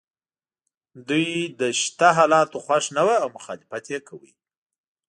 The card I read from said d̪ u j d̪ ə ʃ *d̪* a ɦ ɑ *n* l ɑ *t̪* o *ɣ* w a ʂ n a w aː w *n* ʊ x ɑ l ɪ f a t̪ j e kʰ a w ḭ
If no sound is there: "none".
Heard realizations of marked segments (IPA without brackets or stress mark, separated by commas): t̪, none, t̪, x, m